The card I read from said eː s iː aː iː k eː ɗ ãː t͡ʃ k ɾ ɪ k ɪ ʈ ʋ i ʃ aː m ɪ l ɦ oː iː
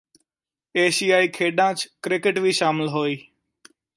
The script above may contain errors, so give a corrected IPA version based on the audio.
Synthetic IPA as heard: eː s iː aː iː kʰ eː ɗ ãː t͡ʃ k ɾ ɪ k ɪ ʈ ʋ iː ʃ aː m ɪ l ɦ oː iː